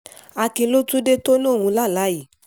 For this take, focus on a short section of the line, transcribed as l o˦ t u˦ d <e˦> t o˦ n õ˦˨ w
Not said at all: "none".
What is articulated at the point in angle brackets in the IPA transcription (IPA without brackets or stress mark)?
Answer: e˦